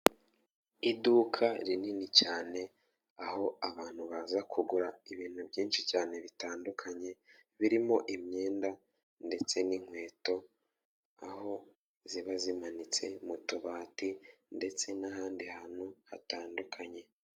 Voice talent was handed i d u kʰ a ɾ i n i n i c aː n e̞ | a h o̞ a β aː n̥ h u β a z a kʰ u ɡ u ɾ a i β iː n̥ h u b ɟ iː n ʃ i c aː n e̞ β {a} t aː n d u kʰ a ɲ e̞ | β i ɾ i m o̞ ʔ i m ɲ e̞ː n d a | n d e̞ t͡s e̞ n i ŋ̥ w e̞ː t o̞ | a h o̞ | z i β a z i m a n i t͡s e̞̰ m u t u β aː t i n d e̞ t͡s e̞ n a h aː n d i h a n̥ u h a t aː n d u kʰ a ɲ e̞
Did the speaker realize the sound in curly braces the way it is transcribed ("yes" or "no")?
no